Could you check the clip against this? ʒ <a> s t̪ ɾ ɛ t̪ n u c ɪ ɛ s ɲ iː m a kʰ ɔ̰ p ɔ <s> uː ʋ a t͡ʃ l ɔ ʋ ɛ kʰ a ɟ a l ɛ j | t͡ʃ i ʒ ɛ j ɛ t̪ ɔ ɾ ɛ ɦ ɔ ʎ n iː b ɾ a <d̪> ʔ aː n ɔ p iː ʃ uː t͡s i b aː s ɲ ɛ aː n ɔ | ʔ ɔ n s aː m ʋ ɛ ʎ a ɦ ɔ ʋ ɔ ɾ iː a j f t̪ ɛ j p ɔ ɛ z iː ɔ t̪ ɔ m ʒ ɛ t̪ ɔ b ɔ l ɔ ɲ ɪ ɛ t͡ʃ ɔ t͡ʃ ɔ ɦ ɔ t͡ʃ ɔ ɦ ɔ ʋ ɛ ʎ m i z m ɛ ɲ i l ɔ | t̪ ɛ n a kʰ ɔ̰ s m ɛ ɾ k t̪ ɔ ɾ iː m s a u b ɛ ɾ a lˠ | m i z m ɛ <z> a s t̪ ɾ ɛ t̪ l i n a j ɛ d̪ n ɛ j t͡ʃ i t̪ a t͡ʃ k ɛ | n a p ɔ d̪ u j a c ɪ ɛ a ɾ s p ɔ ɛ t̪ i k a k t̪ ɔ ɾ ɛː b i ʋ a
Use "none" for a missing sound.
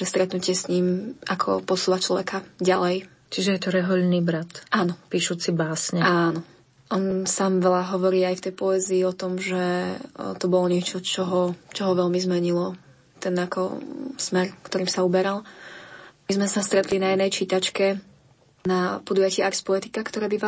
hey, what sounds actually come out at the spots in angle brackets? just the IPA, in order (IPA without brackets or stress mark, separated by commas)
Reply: ɛ, s, t̪, s